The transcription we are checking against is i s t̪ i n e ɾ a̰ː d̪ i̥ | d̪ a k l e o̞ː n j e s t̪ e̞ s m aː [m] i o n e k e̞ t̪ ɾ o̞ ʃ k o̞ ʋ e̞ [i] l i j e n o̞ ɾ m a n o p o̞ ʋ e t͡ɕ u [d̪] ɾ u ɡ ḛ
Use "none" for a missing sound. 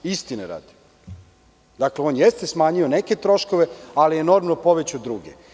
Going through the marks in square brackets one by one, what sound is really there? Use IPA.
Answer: ɲ, a, d̪

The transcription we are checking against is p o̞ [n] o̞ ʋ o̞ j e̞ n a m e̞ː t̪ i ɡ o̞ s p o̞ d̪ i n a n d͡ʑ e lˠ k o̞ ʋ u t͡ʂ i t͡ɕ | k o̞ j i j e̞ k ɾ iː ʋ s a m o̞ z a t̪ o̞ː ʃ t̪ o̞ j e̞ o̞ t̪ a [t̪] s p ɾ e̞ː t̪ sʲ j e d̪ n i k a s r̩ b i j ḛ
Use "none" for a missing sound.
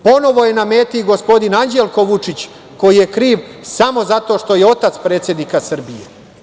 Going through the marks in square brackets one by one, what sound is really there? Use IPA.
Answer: n, t̪

